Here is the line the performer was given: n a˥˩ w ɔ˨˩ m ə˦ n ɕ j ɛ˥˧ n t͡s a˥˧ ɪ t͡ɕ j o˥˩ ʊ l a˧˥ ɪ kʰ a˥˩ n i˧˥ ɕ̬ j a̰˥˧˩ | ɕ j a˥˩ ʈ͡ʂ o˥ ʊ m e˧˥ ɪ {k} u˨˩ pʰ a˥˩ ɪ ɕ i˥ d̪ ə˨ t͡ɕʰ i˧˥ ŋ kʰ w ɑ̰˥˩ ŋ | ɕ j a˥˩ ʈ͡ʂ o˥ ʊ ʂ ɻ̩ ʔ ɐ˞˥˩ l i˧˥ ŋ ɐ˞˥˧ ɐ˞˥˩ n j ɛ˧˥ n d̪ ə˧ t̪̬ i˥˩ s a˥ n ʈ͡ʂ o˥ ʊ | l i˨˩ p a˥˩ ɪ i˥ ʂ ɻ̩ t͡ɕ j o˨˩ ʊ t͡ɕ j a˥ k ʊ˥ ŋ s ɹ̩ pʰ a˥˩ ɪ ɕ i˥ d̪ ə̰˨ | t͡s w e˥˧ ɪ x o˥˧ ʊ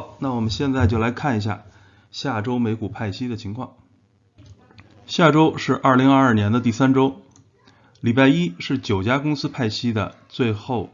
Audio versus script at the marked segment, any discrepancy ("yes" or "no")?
no